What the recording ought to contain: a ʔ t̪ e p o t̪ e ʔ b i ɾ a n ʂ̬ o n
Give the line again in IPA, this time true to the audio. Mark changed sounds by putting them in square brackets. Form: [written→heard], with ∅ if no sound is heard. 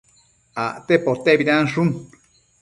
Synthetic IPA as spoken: a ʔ t̪ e p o t̪ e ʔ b i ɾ a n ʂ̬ [o→u] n

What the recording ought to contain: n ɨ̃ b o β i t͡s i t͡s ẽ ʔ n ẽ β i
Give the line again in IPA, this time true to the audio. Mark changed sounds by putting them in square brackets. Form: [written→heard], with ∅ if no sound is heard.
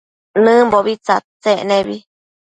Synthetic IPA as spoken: n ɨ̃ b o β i t͡s [i→a] t͡s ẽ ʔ n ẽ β i

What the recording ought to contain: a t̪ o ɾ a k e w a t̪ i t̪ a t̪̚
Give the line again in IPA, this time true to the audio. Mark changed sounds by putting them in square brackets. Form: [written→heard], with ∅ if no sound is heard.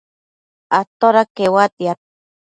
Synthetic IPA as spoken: a t̪ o ɾ a k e w a t̪ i [t̪→∅] a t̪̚

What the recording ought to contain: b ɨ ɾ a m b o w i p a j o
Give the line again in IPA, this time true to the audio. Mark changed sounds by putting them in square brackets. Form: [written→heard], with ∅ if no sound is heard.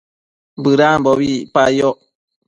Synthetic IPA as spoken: b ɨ ɾ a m b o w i p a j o

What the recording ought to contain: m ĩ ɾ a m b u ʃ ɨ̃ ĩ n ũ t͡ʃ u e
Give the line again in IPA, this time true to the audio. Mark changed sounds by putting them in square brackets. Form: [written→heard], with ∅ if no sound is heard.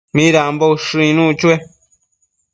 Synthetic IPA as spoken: m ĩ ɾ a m b [u→o] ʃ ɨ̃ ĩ n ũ t͡ʃ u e

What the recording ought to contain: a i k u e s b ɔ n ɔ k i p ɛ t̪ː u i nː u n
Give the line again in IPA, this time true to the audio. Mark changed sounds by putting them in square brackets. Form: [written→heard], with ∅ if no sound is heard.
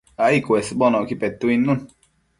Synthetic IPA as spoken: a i k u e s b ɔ n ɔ k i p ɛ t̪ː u i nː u n

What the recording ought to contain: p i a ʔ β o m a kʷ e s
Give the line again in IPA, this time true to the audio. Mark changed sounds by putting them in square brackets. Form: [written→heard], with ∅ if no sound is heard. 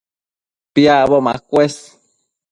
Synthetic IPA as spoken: p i a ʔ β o m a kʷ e s

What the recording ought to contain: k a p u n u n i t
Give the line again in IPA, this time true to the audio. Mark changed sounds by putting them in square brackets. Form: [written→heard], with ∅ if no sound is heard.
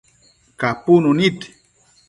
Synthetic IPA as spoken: k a p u n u n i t

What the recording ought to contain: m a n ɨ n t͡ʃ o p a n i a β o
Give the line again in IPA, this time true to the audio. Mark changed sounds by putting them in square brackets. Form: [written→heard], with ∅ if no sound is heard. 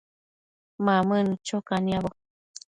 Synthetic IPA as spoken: m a [n→m] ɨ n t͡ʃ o [p→k] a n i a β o

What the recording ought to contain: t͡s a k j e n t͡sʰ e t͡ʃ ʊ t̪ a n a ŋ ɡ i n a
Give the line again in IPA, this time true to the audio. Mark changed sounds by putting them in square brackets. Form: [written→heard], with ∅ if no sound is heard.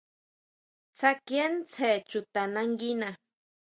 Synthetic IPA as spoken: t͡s a k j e n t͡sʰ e t͡ʃ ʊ t̪ a n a ŋ ɡ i n a

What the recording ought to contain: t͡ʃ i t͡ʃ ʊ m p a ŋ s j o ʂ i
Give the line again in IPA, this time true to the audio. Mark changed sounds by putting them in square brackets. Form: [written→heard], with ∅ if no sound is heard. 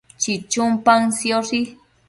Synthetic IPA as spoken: t͡ʃ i t͡ʃ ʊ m p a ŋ s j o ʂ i

